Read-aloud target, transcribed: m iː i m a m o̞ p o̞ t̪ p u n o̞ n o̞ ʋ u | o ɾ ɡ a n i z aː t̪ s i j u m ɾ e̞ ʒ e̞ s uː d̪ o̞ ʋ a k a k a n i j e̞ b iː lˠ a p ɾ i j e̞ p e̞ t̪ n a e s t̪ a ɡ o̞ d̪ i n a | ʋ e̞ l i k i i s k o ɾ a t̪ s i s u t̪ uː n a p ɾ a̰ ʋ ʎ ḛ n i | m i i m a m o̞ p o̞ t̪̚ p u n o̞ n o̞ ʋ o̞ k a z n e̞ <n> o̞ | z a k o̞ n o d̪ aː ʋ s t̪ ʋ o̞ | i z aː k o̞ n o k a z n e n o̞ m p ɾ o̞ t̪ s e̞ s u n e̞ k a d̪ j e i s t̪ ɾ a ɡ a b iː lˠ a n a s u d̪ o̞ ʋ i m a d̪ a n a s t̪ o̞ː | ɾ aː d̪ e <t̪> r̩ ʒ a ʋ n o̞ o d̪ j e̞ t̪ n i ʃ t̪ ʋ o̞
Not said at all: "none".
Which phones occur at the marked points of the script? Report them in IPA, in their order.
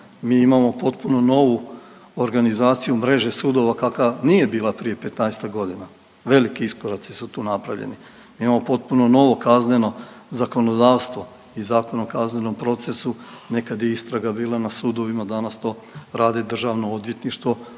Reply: n, d̪

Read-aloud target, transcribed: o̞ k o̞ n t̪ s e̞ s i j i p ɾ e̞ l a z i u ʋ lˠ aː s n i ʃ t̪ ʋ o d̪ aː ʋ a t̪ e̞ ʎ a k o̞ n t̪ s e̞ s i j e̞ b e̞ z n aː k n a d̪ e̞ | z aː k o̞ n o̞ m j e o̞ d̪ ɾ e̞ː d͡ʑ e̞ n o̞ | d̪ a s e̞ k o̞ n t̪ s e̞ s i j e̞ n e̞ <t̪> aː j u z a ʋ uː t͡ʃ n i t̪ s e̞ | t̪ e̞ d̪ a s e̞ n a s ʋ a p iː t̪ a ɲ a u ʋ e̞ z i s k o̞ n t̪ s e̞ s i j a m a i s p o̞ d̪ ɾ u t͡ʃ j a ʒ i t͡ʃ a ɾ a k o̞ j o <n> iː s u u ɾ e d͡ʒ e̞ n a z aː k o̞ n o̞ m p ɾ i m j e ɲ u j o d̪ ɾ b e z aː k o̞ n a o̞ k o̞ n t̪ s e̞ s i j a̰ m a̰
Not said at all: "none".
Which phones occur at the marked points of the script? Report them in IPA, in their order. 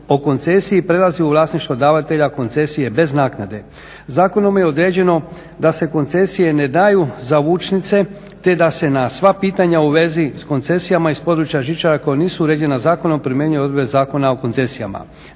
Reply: d̪, n

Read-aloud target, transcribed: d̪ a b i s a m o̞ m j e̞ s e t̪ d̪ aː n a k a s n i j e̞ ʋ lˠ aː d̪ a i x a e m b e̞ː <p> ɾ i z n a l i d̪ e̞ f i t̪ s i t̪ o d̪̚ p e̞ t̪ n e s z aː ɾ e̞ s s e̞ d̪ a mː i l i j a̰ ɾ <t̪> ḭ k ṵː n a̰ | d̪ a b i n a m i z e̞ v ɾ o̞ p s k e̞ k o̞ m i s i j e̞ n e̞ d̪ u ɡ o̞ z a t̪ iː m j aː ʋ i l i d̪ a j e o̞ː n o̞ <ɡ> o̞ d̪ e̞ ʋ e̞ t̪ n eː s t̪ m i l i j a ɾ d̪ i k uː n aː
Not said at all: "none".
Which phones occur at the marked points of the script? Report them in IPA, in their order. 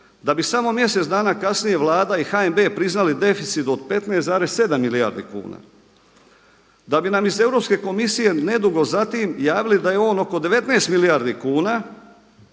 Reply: p, d̪, k

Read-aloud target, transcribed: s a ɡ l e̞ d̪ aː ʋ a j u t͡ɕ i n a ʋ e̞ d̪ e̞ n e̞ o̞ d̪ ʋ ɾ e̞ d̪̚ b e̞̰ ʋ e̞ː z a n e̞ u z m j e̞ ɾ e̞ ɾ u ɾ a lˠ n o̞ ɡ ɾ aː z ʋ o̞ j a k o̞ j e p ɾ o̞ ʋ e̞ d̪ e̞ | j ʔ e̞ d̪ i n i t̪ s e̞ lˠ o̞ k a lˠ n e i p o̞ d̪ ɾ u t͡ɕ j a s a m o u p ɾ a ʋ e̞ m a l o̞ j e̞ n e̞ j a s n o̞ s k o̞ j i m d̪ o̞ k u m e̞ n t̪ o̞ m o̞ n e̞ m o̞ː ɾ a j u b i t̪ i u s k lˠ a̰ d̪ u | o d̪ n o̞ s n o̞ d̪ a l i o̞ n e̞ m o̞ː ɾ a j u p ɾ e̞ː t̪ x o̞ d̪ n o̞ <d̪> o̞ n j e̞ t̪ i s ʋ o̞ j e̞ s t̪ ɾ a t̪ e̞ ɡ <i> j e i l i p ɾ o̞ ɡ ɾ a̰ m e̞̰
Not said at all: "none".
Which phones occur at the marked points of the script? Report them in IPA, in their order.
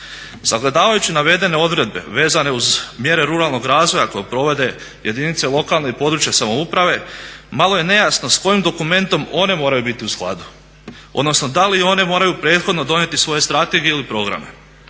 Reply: d̪, i

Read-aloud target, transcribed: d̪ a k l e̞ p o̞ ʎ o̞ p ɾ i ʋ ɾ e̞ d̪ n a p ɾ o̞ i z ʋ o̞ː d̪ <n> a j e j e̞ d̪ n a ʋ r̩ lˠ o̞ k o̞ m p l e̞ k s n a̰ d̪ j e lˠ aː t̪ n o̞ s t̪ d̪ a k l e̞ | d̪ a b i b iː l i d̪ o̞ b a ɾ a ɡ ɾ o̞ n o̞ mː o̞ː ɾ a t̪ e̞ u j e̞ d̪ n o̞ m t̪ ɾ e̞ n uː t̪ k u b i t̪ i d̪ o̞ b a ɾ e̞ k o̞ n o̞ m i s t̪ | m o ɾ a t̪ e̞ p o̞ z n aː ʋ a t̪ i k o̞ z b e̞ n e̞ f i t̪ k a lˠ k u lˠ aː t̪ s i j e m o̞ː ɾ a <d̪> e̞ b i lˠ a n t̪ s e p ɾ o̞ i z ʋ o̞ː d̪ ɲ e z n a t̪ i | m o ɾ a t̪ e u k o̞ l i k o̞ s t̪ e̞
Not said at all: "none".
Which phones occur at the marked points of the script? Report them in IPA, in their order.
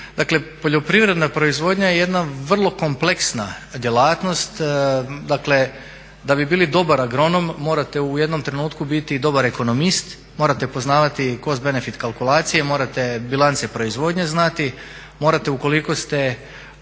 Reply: ɲ, t̪

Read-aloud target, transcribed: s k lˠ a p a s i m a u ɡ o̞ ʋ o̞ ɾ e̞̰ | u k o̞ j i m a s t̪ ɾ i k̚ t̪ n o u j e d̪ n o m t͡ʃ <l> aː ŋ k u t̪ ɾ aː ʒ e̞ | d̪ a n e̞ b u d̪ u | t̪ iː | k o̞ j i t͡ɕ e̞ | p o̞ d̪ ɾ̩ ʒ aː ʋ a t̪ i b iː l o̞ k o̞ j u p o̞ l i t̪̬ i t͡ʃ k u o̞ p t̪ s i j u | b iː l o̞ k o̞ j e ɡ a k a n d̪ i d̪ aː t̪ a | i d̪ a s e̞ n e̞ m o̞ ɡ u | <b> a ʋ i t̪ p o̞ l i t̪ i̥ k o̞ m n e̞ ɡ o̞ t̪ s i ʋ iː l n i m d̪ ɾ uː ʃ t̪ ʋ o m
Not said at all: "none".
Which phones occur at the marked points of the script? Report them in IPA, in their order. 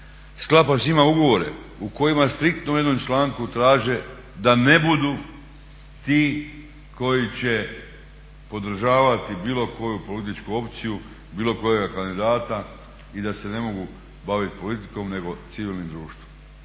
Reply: l, b

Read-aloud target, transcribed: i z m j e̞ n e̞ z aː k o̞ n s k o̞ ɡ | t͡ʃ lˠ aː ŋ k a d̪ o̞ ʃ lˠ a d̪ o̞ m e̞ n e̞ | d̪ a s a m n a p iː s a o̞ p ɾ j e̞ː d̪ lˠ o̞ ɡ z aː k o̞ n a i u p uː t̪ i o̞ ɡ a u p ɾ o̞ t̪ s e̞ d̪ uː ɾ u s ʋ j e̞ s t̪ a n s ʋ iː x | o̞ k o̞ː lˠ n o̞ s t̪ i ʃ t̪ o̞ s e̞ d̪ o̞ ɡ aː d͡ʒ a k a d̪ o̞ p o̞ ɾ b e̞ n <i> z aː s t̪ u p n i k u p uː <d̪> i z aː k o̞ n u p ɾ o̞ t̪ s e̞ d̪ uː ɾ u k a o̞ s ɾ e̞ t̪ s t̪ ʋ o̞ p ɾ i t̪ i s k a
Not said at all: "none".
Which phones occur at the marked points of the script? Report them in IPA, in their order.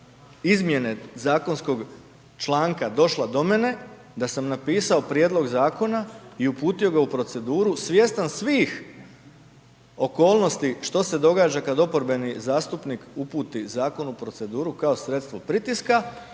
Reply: i, t̪

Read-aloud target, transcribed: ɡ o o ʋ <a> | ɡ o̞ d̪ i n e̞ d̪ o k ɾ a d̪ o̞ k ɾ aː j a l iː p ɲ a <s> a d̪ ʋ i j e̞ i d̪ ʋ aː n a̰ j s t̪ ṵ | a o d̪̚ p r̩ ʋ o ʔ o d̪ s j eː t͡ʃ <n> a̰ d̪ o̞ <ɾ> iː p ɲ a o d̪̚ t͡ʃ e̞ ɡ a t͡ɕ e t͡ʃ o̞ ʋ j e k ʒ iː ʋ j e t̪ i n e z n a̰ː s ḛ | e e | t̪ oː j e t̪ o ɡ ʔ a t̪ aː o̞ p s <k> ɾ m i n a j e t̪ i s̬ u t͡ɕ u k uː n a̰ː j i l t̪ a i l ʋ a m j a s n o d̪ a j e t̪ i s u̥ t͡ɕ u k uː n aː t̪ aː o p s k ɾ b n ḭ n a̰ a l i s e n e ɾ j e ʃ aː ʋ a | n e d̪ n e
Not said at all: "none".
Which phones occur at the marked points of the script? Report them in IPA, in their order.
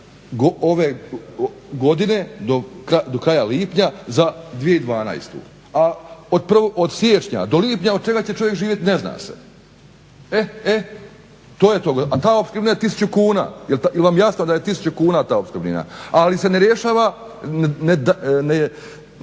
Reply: e, z, ɲ, l, k

